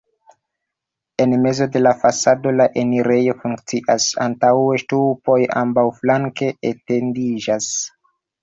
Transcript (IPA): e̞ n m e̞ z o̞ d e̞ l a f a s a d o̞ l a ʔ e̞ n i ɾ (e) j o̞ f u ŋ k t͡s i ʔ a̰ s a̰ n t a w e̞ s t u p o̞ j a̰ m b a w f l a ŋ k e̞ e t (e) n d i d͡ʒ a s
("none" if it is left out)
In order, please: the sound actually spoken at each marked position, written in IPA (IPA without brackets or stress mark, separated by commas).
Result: e, e